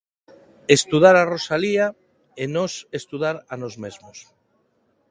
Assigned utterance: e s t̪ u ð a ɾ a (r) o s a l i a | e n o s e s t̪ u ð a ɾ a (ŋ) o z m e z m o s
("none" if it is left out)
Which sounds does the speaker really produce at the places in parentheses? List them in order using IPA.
r, n

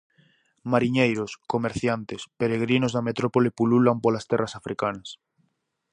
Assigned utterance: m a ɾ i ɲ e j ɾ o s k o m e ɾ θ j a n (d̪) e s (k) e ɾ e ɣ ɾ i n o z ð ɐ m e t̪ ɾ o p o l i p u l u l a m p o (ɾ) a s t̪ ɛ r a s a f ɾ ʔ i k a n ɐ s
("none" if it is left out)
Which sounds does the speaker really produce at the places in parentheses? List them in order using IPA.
t̪, p, l

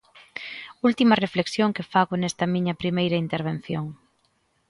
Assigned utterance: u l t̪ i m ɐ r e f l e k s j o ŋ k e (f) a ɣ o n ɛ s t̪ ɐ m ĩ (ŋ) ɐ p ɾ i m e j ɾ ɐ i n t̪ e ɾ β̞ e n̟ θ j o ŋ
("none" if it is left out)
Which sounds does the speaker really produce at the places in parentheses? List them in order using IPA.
f, ɲ

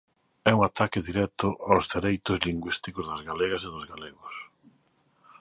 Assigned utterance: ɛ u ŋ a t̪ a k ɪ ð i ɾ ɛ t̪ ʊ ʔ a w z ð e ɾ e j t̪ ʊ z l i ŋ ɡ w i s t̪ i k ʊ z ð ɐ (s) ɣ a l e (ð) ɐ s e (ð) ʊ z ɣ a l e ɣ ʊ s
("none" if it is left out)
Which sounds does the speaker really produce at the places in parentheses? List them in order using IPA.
z, ɣ, ð

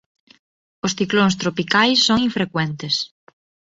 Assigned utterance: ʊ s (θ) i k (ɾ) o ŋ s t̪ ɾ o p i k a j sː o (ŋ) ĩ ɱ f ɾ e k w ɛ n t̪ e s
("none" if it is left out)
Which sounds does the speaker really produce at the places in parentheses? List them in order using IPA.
θ, l, ŋ

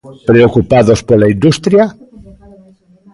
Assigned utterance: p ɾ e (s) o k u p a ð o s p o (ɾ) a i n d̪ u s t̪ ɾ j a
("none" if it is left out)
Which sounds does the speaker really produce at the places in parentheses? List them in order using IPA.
none, l

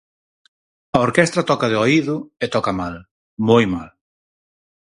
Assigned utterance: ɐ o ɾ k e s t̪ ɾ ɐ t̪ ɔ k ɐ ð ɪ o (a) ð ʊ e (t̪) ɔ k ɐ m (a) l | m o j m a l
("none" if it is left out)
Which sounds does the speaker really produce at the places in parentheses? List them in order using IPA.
i, t̪, a

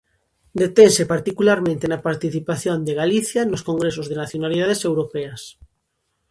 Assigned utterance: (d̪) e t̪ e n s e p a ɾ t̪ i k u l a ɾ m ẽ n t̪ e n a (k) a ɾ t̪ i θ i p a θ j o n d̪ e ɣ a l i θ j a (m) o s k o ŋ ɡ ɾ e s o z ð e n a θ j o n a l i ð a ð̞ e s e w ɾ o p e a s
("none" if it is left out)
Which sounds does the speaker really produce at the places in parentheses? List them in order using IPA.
d̪, p, n

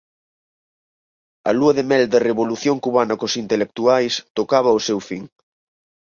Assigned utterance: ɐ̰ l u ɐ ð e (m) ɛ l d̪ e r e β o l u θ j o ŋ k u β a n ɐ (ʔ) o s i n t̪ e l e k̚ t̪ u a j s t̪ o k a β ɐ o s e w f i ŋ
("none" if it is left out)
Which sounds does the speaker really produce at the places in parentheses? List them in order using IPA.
m, k

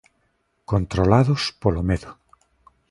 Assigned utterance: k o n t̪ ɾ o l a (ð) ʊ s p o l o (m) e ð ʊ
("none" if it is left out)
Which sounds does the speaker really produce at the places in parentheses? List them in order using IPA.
ð, m

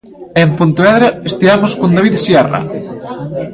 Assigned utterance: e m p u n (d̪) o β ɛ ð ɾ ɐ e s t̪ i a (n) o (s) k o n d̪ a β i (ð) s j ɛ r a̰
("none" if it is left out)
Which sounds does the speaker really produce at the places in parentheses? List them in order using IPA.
t̪, m, s, ð

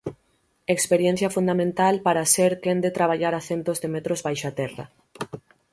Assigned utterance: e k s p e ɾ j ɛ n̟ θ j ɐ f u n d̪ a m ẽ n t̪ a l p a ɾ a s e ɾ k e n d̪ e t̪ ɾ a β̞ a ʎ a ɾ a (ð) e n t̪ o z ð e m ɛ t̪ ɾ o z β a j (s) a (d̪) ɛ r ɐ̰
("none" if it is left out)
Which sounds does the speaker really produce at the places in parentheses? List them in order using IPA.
θ, ʃ, t̪

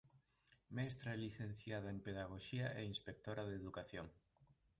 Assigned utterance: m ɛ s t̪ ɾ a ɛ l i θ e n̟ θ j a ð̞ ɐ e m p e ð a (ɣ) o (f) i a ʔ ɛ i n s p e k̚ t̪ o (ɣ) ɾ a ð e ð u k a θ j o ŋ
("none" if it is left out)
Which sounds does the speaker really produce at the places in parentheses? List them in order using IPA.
ɣ, ʃ, none

